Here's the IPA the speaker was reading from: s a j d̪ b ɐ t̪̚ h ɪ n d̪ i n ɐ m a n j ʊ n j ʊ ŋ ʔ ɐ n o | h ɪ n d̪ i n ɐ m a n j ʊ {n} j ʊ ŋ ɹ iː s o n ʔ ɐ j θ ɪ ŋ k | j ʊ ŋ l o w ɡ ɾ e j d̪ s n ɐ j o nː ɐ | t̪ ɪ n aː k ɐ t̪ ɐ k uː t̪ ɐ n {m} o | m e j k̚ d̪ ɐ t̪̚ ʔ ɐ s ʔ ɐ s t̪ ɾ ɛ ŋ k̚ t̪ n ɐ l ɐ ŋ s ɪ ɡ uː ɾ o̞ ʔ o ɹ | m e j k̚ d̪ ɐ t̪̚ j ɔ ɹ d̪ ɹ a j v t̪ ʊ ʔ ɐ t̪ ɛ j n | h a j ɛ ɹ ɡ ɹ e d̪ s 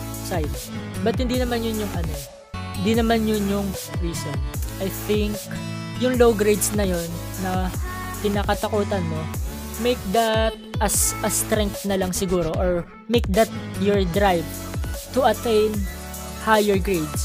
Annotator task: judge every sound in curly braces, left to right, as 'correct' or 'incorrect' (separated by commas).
correct, correct